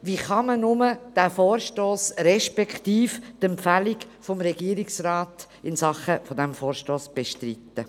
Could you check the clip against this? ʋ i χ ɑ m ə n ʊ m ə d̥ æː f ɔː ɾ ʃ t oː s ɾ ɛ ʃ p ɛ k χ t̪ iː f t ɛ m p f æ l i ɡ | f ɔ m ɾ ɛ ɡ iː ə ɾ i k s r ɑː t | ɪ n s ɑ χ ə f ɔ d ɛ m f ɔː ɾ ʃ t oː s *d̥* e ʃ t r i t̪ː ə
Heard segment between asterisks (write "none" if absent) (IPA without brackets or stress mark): b̥